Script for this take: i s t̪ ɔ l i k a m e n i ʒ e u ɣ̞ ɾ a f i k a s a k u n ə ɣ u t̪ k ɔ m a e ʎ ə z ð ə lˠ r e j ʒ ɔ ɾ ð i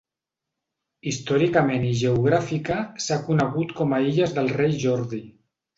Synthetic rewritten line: i s t̪ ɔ ɾ i k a m e n i ʒ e u ɣ̞ ɾ a f i k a s a k u n ə ɣ u t̪ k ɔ m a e ʎ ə z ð ə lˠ r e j ʒ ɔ ɾ ð i